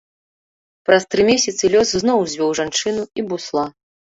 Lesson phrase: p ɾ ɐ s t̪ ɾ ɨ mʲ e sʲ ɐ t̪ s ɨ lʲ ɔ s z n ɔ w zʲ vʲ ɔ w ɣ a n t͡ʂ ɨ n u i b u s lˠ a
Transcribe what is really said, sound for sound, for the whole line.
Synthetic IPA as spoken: p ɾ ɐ s t̪ ɾ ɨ mʲ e sʲ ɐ t̪ s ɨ lʲ ɔ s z n ɔ w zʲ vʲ ɔ w ʐ a n t͡ʂ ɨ n u i b u s lˠ a